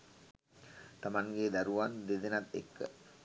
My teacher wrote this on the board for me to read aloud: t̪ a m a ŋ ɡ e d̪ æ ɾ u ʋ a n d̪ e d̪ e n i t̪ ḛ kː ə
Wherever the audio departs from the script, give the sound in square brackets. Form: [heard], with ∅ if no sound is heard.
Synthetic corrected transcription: t̪ a m a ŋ ɡ e d̪ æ ɾ u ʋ a n d̪ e d̪ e n [a] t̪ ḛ kː ə